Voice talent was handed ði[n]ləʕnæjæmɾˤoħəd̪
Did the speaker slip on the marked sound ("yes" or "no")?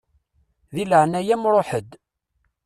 yes